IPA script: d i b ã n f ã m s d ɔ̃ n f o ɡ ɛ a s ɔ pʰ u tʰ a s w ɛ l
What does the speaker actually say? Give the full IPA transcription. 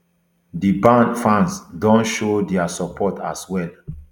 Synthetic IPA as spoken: d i b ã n f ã n s d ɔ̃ n ʃ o d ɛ a s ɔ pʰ ɔ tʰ a s w ɛ l